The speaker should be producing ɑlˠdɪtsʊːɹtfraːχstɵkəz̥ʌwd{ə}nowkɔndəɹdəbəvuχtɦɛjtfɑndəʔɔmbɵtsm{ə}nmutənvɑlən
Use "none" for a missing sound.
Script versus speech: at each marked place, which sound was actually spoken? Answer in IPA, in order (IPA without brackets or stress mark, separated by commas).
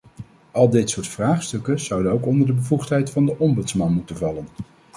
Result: ə, ɑ